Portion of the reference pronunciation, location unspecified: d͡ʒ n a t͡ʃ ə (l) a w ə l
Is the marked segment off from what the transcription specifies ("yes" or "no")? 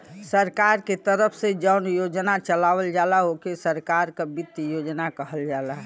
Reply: no